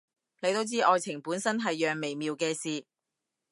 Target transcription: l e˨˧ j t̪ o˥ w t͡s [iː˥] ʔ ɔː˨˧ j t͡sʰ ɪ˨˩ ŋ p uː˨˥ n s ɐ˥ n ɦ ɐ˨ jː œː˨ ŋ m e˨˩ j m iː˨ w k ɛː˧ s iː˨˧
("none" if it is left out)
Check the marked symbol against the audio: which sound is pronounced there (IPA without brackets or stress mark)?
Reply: iː˥